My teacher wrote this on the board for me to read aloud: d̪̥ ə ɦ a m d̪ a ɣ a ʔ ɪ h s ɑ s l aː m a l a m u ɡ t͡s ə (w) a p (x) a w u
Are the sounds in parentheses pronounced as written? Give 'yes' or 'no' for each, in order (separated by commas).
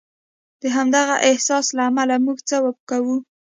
yes, no